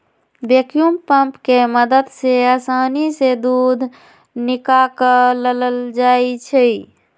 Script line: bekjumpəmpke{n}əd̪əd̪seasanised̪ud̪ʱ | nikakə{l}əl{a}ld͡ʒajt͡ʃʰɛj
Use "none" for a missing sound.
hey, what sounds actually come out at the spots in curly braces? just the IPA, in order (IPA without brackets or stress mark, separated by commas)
m, l, ə